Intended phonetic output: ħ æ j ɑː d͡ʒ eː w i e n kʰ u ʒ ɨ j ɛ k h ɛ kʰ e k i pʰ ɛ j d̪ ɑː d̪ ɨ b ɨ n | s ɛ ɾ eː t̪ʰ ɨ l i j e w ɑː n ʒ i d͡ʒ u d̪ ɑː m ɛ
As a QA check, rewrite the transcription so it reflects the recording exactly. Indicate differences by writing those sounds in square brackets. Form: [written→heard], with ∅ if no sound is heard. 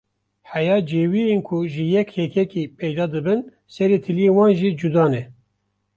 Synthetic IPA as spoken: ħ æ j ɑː d͡ʒ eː w i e n kʰ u ʒ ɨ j ɛ k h ɛ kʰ [e→ɛ] k i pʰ ɛ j d̪ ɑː d̪ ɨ b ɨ n | s ɛ ɾ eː t̪ʰ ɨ l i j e w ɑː n ʒ i d͡ʒ u d̪ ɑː [m→n] ɛ